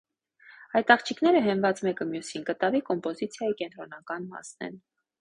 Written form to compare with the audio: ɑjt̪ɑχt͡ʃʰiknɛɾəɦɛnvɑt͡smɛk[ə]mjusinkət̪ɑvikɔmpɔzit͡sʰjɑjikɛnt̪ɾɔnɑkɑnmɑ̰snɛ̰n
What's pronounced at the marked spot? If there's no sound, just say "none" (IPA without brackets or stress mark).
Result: ə